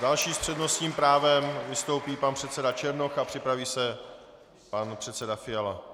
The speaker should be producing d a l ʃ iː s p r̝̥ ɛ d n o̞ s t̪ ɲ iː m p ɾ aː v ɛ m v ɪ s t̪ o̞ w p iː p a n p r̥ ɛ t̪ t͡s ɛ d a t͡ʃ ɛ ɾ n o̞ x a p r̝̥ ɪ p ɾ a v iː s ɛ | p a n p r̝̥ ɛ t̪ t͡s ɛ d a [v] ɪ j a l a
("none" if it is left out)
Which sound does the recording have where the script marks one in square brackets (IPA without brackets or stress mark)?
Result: f